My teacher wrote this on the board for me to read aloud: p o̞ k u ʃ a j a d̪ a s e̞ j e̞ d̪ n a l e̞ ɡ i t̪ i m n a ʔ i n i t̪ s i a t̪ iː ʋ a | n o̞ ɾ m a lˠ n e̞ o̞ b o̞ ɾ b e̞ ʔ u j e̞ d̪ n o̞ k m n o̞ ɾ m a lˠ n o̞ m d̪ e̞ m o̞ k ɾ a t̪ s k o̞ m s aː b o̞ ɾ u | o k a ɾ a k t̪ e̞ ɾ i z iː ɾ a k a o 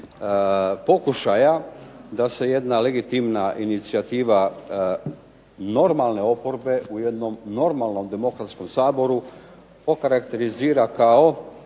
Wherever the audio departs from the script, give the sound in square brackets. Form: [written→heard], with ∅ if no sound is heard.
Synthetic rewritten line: p o̞ k u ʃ a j a d̪ a s e̞ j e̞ d̪ n a l e̞ ɡ i t̪ i m n a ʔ i n i t̪ s i a t̪ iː ʋ a | n o̞ ɾ m a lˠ n e̞ o̞ [b→p] o̞ ɾ b e̞ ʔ u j e̞ d̪ n o̞ [k→∅] m n o̞ ɾ m a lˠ n o̞ m d̪ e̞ m o̞ k ɾ a t̪ s k o̞ m s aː b o̞ ɾ u | o k a ɾ a k t̪ e̞ ɾ i z iː ɾ a k a o

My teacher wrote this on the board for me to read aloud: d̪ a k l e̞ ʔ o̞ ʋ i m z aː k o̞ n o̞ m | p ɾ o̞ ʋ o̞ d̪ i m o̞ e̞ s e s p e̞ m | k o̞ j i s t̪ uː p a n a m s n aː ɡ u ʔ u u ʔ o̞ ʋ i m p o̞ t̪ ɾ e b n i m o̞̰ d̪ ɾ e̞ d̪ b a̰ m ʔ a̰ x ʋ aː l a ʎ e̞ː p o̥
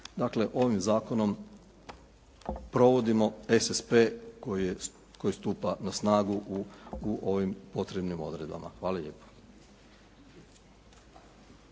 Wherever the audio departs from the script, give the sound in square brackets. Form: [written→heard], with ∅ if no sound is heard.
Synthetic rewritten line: d̪ a k l e̞ ʔ o̞ ʋ i m z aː k o̞ n o̞ m | p ɾ o̞ ʋ o̞ d̪ i m o̞ e̞ s e s p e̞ [m→∅] | k o̞ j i s t̪ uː p a n a [m→∅] s n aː ɡ u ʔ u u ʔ o̞ ʋ i m p o̞ t̪ ɾ e b n i m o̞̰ d̪ ɾ e̞ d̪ b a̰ m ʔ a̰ x ʋ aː l a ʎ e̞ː p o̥

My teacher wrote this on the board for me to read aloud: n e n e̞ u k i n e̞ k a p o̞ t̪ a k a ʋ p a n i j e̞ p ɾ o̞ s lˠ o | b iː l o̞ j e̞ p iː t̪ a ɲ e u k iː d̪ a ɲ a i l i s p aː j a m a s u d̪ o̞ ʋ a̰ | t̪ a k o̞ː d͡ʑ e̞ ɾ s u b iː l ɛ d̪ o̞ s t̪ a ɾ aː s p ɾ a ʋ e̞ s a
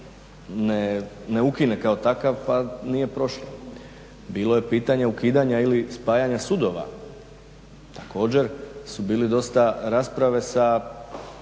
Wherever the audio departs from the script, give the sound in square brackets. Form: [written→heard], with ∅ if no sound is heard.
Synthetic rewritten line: n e n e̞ u k i n e̞ k a [p→∅] o̞ t̪ a k a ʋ p a n i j e̞ p ɾ o̞ [s→ʃ] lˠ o | b iː l o̞ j e̞ p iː t̪ a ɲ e u k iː d̪ a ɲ a i l i s p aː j a [m→ɲ] a s u d̪ o̞ ʋ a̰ | t̪ a k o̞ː d͡ʑ e̞ ɾ s u b iː l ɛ d̪ o̞ s t̪ a ɾ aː s p ɾ a ʋ e̞ s a

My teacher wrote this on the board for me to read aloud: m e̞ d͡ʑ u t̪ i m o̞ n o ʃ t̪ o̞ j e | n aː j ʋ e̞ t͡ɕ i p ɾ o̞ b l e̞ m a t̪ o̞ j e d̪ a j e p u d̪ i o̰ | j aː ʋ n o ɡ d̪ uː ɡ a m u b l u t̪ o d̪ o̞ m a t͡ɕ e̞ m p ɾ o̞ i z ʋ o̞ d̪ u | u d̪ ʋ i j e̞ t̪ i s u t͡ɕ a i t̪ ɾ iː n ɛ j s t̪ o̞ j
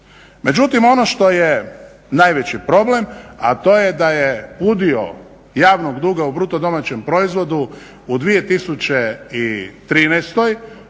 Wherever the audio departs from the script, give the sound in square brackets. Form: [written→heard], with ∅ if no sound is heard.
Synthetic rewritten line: m e̞ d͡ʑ u t̪ i m o̞ n o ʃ t̪ o̞ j e | n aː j ʋ e̞ t͡ɕ i p ɾ o̞ b l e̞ m a t̪ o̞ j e d̪ a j e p u d̪ i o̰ | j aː ʋ n o ɡ d̪ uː ɡ a [m→∅] u b [l→ɾ] u t̪ o d̪ o̞ m a t͡ɕ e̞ m p ɾ o̞ i z ʋ o̞ d̪ u | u d̪ ʋ i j e̞ t̪ i s u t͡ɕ [a→e] i t̪ ɾ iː n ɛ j s t̪ o̞ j

